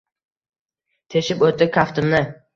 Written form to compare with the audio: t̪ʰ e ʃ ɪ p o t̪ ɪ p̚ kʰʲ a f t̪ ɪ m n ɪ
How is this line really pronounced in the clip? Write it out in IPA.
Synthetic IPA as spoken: t̪ʰ e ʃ ɪ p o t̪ ɪ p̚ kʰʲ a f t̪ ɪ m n ɪ